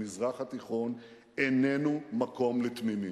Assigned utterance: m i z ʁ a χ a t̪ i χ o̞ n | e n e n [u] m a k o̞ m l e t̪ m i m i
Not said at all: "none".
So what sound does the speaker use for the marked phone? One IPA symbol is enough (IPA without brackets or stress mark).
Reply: u